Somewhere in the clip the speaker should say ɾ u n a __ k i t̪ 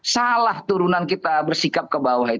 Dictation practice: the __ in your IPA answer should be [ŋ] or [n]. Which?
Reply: n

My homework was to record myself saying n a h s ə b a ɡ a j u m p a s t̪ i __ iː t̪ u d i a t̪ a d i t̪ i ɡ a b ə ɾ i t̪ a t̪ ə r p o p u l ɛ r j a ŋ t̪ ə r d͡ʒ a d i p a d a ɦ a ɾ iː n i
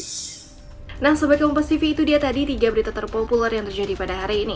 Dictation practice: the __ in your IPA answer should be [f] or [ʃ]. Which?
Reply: f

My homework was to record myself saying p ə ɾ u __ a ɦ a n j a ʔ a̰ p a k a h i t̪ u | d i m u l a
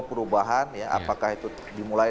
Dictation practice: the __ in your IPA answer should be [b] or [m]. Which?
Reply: b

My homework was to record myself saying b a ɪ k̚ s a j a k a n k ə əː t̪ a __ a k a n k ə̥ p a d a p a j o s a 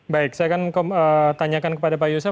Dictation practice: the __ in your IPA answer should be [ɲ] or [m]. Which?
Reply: ɲ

